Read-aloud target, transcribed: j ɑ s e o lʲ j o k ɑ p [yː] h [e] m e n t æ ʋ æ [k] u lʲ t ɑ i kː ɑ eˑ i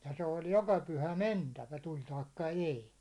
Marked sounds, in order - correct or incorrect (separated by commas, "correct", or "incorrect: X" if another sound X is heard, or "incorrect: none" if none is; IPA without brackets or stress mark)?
incorrect: y, incorrect: æ, incorrect: t